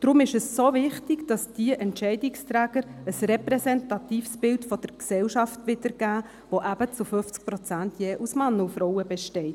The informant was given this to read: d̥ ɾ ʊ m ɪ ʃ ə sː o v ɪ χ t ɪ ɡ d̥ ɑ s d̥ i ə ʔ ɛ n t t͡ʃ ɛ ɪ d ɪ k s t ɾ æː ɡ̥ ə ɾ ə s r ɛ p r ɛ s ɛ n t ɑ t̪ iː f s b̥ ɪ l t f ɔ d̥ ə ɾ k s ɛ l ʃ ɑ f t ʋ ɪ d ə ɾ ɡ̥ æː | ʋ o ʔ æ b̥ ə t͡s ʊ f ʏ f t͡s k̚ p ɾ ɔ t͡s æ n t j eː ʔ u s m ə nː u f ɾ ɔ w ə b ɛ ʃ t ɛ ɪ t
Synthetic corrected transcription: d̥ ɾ ʊ m ɪ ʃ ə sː o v ɪ χ t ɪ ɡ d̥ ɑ s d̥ i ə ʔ ɛ n t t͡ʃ ɛ ɪ d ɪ k s t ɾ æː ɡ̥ ə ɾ ə s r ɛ p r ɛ s ɛ n t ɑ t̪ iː f s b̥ ɪ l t f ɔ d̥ ə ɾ k s ɛ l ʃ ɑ f t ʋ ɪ d ə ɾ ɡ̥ æː | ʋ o ʔ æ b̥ ə t͡s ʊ f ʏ f t͡s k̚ p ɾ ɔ t͡s æ n t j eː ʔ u s m ɑ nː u f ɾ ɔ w ə b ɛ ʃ t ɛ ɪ t